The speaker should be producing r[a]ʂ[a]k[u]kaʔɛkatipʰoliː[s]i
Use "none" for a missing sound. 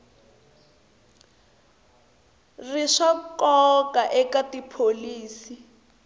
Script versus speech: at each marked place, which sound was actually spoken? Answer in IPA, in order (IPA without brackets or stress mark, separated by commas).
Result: i, a, ɔ, s